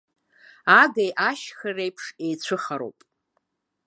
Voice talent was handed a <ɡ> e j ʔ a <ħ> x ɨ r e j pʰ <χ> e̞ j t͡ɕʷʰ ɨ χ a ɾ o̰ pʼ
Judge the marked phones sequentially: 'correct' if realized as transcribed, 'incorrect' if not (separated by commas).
correct, incorrect, incorrect